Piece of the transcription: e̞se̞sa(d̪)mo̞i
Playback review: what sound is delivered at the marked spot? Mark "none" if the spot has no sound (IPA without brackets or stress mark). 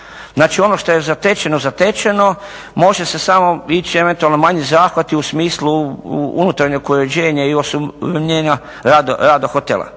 none